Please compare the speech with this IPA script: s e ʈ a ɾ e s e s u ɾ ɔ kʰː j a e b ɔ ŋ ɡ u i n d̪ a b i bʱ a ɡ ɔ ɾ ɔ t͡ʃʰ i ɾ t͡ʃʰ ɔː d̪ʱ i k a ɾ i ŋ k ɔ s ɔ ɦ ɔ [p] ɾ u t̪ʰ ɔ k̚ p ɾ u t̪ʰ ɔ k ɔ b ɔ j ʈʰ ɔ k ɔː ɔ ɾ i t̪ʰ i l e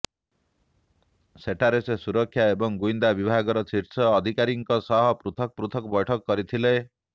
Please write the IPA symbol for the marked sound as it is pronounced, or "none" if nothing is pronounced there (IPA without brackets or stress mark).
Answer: p